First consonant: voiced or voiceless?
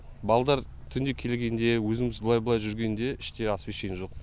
voiced